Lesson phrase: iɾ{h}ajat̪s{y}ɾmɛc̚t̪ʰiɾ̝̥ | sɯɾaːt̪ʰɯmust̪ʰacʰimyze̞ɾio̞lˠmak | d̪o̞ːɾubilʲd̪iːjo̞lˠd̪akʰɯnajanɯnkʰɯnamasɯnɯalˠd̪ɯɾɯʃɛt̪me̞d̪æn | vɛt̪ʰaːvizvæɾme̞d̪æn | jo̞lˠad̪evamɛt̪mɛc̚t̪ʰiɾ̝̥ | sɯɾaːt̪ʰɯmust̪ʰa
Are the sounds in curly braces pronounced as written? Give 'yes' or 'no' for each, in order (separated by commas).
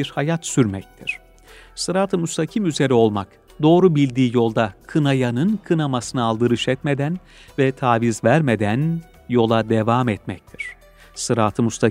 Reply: yes, yes